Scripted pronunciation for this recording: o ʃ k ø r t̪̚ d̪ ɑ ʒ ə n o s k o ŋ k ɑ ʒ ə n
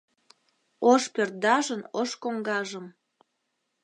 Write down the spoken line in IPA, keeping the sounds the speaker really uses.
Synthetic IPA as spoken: o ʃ p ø r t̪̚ d̪ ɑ ʒ ə n o ʃ k o ŋ ɡ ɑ ʒ ə m